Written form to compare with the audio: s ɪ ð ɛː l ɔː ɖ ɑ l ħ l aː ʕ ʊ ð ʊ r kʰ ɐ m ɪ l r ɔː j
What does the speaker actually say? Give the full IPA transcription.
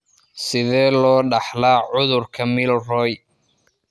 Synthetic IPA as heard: s ɪ ð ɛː l ɔː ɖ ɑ ħ l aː ʕ ʊ ð ʊ r kʰ ɐ m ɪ l r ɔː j

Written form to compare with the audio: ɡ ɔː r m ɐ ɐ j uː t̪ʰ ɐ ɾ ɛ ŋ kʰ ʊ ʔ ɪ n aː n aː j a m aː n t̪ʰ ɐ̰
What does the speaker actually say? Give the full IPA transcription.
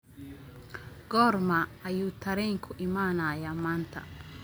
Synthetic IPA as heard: ɡ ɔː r m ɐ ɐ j uː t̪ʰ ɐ ɾ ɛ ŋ kʰ ʊ ʔ ɪ m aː n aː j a m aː n t̪ʰ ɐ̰

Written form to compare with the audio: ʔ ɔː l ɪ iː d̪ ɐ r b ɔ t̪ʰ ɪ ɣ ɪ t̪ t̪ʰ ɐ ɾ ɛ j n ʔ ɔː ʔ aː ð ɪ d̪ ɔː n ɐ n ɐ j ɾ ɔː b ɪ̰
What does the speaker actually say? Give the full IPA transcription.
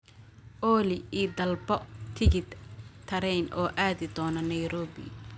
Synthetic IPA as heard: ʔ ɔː l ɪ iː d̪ ɐ l b ɔ t̪ʰ ɪ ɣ ɪ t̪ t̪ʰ ɐ ɾ ɛ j n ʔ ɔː ʔ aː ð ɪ d̪ ɔː n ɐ n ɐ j ɾ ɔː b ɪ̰

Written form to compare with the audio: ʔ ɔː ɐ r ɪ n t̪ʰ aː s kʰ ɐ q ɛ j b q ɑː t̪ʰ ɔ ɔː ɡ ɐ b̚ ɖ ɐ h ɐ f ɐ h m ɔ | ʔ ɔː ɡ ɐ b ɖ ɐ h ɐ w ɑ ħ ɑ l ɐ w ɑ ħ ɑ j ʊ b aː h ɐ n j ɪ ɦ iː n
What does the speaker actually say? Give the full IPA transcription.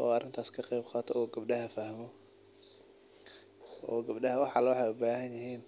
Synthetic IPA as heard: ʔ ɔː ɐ r ɪ n t̪ʰ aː s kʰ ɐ q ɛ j b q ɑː t̪ʰ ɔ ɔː ɡ ɐ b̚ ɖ ɐ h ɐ f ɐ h m ɔ | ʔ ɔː ɡ ɐ b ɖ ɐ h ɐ w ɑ ħ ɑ l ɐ w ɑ ħ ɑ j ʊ b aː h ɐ n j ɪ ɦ iː n

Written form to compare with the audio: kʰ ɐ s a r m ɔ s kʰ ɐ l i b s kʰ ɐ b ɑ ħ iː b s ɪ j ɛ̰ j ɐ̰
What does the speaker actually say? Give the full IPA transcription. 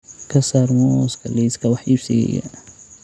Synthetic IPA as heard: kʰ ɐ s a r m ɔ s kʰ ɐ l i s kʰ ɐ w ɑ ħ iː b s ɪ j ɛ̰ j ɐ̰

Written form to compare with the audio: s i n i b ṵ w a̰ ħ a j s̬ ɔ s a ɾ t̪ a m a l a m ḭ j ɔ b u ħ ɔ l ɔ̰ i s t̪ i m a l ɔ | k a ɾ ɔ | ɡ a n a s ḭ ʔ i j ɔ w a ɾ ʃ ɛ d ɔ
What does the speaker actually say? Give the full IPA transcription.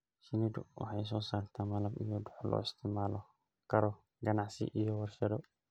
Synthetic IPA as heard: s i n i d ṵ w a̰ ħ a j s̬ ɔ s a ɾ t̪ a m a l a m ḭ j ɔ d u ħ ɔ l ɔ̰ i s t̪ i m a l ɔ | k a ɾ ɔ | ɡ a n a s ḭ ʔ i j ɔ w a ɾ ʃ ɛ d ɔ

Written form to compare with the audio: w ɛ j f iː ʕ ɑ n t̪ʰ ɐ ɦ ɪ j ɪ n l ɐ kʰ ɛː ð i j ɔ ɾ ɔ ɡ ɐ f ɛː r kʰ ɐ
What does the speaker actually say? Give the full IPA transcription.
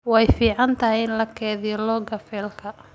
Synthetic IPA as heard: w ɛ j f iː ʕ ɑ n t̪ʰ ɐ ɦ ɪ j ɪ n l ɐ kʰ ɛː ð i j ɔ l ɔ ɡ ɐ f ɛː l kʰ ɐ

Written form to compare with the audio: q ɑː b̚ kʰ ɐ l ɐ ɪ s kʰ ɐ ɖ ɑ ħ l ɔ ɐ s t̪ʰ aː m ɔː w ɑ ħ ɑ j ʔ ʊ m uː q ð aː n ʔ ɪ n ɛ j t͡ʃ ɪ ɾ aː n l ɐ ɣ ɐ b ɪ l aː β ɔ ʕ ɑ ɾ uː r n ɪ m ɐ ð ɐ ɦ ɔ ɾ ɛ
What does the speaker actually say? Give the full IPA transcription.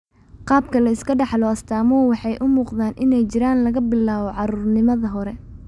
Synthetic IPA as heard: q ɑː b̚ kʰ ɐ l ɐ ɪ s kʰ ɐ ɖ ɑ ħ l ɔ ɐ s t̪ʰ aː m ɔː w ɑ ħ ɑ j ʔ ʊ m uː q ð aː n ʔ ɪ n ɛ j t͡ʃ ɪ ɾ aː n l ɐ ɣ ɐ b ɪ l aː β ɔ ʕ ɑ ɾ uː r n ɪ m ɐ ð ɐ ɦ ɔ ɾ ɛ

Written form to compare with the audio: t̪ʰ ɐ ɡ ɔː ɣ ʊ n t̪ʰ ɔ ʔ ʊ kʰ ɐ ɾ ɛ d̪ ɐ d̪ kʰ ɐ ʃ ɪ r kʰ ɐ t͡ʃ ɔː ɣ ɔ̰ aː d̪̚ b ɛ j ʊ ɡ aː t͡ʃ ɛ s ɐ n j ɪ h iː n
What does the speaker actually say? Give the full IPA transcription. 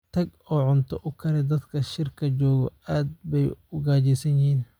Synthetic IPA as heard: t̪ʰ ɐ ɡ ɔː ʕ ʊ n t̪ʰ ɔ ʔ ʊ kʰ ɐ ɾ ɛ d̪ ɐ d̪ kʰ ɐ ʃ ɪ r kʰ ɐ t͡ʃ ɔː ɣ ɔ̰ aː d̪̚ b ɛ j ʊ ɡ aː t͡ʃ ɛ s ɐ n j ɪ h iː n

